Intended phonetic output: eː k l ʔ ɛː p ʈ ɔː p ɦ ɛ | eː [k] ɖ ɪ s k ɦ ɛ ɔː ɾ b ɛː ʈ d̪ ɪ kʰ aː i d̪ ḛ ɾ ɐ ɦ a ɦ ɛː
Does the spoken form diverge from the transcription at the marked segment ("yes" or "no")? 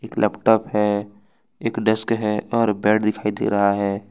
no